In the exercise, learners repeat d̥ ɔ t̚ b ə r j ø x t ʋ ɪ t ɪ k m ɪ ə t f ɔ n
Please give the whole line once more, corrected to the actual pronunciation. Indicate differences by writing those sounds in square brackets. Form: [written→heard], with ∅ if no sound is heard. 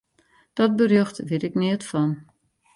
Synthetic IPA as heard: d̥ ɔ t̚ b ə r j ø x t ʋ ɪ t ɪ k [m→n] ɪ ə t f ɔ n